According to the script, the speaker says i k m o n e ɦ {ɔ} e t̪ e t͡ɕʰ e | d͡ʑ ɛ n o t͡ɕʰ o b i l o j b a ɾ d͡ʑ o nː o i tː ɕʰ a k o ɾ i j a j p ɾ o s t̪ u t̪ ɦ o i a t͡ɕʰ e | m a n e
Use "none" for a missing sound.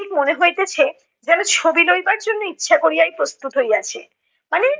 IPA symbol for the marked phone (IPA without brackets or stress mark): o